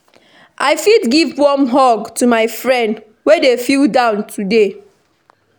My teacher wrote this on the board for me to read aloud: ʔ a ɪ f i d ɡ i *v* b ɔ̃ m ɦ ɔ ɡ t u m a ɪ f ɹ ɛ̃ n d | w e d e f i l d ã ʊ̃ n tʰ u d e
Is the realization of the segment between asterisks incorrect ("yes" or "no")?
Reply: no